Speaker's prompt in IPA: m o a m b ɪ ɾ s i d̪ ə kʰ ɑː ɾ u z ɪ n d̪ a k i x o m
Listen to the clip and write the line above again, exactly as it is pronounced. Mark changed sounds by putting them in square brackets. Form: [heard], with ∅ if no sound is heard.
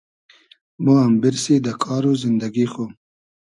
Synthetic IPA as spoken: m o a m b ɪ ɾ s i d̪ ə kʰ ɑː ɾ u z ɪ n d̪ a [ɡ] i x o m